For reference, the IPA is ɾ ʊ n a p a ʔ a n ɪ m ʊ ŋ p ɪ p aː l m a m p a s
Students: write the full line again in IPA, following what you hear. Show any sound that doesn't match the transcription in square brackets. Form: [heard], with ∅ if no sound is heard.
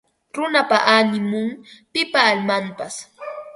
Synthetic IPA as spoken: ɾ ʊ n a p a ʔ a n ɪ m ʊ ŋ p ɪ p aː l m a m p a s